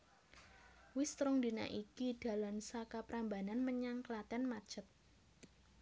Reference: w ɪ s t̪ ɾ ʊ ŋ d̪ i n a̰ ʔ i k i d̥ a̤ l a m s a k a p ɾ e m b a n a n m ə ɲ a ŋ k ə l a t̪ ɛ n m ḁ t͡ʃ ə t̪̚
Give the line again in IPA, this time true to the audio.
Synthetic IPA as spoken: w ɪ s t̪ ɾ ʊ ŋ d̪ i n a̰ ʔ i k i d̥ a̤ l a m s a k a p ɾ a m b a n a n m ə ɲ a ŋ k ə l a t̪ ɛ n m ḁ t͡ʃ ə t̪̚